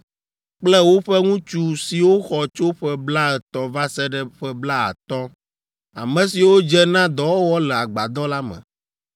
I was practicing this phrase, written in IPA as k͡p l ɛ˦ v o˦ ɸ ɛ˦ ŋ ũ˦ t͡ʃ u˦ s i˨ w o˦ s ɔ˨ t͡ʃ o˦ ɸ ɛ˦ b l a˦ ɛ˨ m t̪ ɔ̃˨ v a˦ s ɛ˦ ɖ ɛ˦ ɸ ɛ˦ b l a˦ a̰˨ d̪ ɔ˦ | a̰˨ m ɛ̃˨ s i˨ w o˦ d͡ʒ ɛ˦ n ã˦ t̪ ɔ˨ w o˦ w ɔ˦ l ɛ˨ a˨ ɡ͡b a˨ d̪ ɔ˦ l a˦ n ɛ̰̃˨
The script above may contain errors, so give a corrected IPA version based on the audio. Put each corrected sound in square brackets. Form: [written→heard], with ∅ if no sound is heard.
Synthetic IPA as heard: k͡p l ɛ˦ [v→w] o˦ ɸ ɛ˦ ŋ ũ˦ t͡ʃ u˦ s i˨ w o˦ [s→x] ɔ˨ t͡ʃ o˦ ɸ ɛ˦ b l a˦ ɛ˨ [m→∅] t̪ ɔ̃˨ v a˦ s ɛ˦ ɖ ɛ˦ ɸ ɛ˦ b l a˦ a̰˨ [d̪→t̪] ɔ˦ | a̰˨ m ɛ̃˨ s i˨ w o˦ d͡ʒ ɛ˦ n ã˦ [t̪→d̪] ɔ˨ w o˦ w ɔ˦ l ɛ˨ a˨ ɡ͡b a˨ d̪ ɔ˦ l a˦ [n→m] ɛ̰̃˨

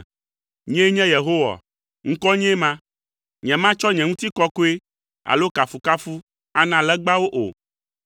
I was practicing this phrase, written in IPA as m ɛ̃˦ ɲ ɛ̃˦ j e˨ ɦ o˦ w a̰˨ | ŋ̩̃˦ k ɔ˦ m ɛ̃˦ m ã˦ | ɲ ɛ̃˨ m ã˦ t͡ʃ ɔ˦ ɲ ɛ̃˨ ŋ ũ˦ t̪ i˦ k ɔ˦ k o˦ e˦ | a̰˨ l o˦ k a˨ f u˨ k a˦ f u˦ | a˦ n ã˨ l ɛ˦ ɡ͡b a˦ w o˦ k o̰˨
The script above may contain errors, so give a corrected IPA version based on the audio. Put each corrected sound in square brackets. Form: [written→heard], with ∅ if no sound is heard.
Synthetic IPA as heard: [m→ɲ] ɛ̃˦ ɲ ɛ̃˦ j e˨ ɦ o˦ w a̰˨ | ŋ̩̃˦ k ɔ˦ [m→ɲ] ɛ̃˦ m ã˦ | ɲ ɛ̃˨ m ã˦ t͡ʃ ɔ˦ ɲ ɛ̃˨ ŋ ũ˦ t̪ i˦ k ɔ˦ k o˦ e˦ | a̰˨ l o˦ k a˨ f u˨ k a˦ f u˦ | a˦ n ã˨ l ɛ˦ ɡ͡b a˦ w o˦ [k→ʔ] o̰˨

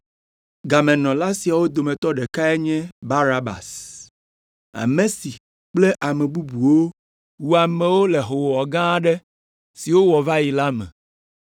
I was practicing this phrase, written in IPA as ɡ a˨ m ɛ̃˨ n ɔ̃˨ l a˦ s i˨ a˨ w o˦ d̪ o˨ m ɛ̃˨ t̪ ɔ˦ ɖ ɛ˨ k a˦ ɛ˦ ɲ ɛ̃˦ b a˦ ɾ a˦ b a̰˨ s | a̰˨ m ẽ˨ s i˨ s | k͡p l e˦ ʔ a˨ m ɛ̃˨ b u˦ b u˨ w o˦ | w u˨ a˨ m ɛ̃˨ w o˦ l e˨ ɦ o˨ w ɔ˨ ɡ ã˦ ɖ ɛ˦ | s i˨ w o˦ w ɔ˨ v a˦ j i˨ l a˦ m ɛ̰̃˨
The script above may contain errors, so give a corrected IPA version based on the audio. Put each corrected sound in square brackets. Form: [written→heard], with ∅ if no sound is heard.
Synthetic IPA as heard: ɡ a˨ m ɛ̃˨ n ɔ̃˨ l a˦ s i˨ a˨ w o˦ d̪ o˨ m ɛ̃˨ t̪ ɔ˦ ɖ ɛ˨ k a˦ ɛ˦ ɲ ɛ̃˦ b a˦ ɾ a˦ b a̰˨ s | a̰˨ m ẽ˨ s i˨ [s→∅] | k͡p l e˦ ʔ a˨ m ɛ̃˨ b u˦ b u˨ w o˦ | w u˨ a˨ m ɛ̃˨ w o˦ l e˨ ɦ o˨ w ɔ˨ ɡ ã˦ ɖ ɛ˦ | s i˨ w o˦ w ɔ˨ v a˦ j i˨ l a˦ m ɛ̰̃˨

